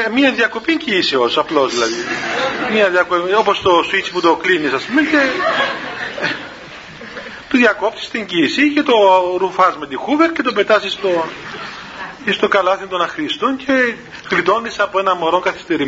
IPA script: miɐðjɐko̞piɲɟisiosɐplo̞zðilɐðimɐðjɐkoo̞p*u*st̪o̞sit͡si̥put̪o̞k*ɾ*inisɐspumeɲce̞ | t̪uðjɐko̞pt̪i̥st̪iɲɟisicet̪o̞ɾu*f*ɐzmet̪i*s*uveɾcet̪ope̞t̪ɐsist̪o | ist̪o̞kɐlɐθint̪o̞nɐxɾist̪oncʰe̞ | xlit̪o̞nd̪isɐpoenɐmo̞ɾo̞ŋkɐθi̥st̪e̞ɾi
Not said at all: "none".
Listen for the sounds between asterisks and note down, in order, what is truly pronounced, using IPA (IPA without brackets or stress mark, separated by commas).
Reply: o, l, f, x